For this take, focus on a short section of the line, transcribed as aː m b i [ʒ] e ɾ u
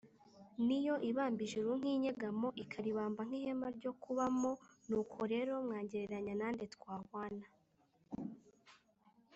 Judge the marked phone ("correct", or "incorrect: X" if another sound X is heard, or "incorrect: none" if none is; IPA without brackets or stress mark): correct